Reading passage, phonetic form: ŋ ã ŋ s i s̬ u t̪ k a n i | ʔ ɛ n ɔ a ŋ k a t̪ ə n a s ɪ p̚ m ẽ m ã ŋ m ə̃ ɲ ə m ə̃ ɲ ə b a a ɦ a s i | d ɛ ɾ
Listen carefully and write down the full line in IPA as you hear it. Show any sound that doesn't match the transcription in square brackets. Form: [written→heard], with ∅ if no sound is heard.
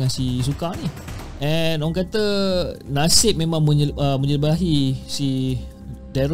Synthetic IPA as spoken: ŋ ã [ŋ→n] s i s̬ u [t̪→∅] k a n i | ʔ ɛ n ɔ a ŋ k a t̪ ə n a s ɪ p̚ m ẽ m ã ŋ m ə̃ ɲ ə m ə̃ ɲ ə b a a ɦ [a→i] s i | d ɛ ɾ